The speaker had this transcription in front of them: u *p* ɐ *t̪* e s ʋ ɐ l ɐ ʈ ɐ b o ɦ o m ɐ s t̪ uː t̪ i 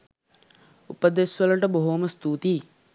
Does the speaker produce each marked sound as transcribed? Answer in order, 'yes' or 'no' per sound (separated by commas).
yes, no